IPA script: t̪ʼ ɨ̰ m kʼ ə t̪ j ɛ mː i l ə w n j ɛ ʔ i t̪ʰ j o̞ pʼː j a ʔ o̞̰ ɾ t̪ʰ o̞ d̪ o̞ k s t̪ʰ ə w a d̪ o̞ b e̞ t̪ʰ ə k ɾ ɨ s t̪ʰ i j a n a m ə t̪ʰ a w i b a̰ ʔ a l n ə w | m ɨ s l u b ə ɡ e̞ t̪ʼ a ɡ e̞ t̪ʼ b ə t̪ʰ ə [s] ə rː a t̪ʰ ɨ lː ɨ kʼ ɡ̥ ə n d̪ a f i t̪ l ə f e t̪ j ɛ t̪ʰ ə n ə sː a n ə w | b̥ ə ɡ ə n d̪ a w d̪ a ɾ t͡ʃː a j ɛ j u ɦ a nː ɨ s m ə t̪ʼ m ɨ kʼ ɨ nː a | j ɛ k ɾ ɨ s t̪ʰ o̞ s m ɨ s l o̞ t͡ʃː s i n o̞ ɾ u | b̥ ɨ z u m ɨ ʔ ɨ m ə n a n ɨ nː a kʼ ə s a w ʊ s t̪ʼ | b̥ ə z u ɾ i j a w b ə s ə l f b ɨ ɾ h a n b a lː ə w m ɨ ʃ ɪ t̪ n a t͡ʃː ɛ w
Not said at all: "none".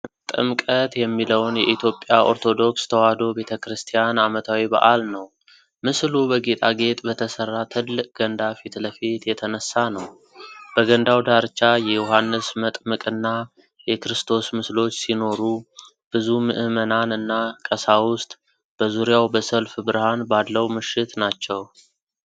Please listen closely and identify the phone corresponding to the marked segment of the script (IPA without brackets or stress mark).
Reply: s